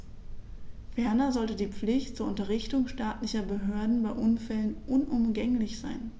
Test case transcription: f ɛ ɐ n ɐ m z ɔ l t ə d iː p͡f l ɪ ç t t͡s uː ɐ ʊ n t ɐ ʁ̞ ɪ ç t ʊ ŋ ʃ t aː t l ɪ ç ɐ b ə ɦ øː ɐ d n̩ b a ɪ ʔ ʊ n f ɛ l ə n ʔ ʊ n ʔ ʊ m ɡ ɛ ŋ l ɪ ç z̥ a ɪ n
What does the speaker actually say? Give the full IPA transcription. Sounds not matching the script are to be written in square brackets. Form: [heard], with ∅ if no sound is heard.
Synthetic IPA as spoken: f ɛ ɐ n ɐ [∅] z ɔ l t ə d iː p͡f l ɪ ç t t͡s uː ɐ ʊ n t ɐ ʁ̞ ɪ ç t ʊ ŋ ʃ t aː t l ɪ ç ɐ b ə ɦ øː ɐ d n̩ b a ɪ ʔ ʊ n f ɛ l ə n ʔ ʊ n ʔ ʊ m ɡ ɛ ŋ l ɪ ç z̥ a ɪ n